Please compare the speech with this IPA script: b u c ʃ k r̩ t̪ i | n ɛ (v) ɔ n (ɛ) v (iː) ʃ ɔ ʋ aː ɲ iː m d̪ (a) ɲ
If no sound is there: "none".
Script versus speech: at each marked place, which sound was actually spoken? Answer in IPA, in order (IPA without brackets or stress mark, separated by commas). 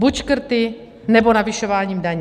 b, a, i, a